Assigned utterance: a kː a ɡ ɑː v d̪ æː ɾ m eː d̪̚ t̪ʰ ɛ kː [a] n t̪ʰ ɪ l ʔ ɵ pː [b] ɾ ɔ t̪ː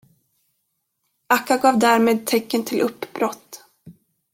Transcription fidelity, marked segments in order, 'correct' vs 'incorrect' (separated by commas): incorrect, correct